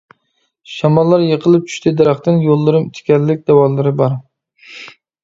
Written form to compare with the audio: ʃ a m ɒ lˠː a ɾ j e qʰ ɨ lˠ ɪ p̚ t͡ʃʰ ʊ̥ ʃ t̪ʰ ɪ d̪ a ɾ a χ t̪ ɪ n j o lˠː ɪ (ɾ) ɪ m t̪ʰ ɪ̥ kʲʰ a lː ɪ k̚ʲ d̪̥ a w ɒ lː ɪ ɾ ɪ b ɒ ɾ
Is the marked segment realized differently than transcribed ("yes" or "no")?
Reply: no